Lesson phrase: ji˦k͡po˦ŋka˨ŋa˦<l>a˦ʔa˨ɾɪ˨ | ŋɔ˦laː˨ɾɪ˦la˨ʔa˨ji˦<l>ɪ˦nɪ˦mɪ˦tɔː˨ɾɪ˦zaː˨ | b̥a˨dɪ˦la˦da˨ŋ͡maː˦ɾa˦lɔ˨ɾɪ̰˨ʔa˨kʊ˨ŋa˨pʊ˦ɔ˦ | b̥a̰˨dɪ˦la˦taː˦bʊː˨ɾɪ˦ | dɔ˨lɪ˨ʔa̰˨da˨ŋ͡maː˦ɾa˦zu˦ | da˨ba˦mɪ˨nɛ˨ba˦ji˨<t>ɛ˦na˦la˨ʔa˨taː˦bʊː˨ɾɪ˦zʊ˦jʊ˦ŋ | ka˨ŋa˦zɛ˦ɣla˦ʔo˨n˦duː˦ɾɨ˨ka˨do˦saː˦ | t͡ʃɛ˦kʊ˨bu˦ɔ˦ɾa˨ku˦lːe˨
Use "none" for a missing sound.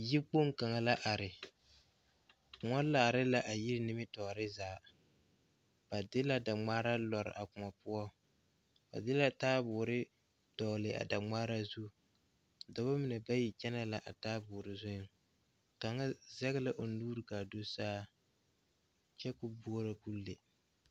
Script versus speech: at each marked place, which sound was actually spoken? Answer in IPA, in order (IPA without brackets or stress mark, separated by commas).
l, ɾ, t͡ʃ